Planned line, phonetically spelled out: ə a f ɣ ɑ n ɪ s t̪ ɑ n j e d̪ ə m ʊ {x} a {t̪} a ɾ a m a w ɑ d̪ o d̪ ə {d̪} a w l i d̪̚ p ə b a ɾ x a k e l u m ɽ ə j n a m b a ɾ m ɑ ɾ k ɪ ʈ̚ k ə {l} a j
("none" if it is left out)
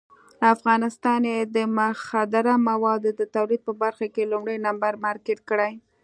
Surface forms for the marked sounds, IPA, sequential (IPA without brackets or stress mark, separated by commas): x, d̪, t̪, ɽ